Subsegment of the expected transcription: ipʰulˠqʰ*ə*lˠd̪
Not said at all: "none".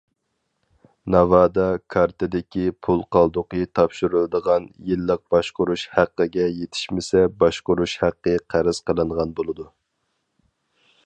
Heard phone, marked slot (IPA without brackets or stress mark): ɑ